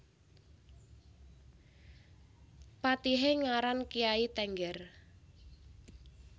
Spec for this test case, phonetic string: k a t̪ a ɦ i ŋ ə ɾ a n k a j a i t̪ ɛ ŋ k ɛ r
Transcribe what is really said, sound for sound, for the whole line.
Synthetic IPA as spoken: p a t̪ i ɦ e ŋ a ɾ a n k i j a i t̪ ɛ ŋ ɡ ɛ r